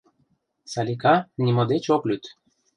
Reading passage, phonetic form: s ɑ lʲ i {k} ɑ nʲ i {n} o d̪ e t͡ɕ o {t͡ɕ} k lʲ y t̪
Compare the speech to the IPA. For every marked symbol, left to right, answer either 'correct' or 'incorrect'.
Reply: correct, incorrect: m, incorrect: none

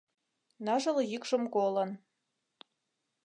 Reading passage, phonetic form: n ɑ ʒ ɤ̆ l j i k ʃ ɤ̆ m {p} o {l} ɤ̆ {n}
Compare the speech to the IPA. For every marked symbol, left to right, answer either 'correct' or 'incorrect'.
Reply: incorrect: k, correct, correct

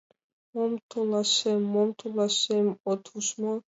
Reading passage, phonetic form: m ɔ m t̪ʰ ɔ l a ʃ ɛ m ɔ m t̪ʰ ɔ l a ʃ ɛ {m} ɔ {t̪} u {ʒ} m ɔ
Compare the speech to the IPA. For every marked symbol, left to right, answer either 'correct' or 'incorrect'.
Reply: correct, incorrect: t̪ʰ, incorrect: ʃ

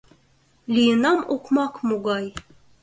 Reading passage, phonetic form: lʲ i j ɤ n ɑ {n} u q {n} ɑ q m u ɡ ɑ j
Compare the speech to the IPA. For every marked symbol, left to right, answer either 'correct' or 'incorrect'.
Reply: incorrect: m, incorrect: m

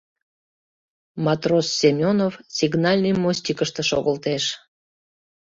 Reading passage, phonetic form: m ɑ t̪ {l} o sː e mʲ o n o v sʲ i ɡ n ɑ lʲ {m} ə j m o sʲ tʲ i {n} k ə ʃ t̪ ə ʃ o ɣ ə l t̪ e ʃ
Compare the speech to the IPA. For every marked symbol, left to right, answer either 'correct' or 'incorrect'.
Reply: incorrect: r, incorrect: n, incorrect: none

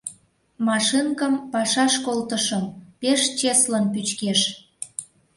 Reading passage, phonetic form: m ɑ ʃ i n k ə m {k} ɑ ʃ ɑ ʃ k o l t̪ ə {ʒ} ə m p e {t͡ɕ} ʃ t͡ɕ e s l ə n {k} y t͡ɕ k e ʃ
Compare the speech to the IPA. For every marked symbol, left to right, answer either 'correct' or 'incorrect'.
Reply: incorrect: p, incorrect: ʃ, incorrect: none, incorrect: p

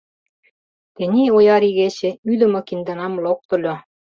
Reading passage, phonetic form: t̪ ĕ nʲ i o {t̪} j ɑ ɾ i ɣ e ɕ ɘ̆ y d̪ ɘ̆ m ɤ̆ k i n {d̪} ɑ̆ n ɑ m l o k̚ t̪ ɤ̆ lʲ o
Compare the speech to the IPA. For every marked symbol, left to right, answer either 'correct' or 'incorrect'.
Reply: incorrect: none, correct

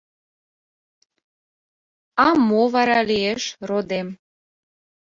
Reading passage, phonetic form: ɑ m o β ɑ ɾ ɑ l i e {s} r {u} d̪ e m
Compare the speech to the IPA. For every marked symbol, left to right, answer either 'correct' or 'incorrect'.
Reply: incorrect: ʃ, incorrect: o

